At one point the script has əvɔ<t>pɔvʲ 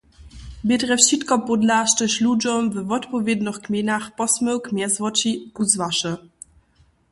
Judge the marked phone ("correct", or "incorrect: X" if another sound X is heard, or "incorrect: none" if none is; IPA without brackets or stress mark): correct